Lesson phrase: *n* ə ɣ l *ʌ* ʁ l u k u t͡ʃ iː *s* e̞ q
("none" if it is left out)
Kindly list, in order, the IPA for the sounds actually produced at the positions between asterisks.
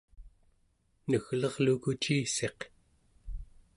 n, ʌ, s

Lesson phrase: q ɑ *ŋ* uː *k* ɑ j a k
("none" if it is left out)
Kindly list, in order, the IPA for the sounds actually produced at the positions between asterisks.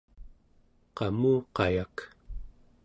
m, q

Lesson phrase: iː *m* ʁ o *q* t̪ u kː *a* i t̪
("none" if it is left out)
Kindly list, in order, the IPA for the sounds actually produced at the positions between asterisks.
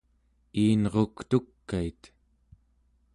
n, k, a

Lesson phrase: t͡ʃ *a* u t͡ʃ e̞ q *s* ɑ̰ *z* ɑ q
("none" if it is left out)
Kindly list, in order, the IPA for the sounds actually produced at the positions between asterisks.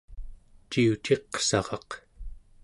i, s, ʁ

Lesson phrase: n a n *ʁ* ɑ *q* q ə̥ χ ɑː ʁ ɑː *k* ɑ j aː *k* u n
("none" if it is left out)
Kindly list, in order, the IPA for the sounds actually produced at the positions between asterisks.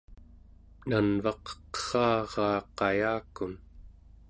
v, q, q, k

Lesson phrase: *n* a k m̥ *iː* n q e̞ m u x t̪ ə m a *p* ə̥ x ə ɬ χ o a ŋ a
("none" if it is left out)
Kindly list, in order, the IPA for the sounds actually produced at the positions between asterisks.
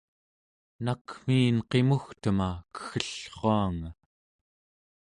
n, iː, k

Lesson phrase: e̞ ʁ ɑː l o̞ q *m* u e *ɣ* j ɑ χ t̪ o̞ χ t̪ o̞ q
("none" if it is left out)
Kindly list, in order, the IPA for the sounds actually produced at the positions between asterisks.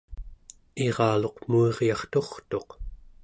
m, ʁ

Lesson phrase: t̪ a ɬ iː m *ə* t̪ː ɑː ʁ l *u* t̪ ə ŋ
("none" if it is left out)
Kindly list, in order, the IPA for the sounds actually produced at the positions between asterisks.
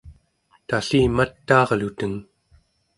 a, u

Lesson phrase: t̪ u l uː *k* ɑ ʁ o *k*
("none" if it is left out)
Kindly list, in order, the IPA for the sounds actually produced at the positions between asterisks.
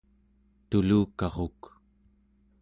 k, k

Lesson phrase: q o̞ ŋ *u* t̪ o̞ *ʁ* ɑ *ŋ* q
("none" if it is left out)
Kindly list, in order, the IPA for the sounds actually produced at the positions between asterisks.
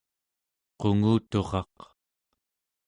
uː, ʁ, none

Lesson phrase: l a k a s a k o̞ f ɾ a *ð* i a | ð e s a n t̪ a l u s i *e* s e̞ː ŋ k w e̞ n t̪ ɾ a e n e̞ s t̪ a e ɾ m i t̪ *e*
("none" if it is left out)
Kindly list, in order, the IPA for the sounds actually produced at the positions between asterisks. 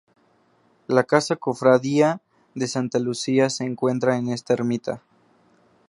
ð, a, a

